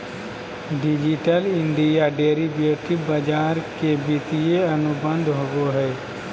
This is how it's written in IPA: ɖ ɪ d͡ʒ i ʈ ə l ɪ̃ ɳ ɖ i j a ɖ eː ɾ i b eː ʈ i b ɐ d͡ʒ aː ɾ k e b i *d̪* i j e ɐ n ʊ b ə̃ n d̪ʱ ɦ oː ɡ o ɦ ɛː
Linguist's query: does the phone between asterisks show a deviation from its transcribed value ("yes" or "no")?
yes